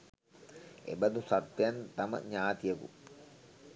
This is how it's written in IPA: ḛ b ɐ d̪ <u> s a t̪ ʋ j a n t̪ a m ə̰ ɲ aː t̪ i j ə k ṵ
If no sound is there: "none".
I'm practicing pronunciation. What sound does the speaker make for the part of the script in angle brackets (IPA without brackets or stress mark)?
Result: u